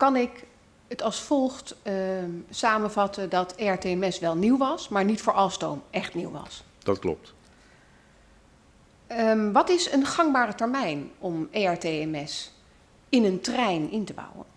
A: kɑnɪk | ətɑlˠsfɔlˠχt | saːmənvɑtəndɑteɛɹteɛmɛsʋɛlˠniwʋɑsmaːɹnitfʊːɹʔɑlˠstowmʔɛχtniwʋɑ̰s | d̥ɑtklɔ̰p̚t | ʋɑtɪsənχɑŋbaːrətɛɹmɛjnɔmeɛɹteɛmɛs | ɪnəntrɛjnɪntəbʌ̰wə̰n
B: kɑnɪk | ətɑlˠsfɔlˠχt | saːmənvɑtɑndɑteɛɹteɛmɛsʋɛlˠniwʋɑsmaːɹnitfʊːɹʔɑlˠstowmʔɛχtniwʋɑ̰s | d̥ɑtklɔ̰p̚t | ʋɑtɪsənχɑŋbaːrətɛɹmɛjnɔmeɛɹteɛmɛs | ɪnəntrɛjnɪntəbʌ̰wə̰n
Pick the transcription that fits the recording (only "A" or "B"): A